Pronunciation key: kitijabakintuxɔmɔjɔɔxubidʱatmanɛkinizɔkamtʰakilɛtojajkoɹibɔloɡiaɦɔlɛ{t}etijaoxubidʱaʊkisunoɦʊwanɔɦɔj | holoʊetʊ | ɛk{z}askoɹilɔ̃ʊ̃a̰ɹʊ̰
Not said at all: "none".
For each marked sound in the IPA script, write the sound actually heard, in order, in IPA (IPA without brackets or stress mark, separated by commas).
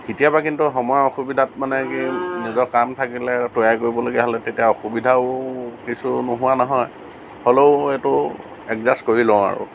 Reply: t, z